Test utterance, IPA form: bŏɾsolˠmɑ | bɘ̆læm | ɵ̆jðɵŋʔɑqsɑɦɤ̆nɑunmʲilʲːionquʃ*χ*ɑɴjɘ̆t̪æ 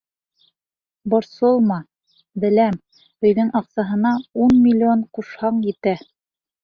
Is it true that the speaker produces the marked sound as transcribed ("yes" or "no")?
no